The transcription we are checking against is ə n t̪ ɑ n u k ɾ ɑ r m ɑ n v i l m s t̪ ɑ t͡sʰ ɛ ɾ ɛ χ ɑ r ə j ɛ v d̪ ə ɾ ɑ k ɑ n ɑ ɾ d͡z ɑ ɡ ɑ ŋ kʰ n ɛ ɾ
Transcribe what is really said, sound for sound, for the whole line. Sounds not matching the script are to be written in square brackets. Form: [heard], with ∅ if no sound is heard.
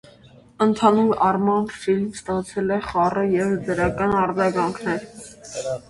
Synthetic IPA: ə n [t̪ʰ] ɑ n u [∅] ɾ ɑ r m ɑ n [f] i l m s t̪ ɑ t͡sʰ ɛ [l] ɛ χ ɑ r ə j ɛ v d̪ ə ɾ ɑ k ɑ n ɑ ɾ d͡z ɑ ɡ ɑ ŋ kʰ n ɛ ɾ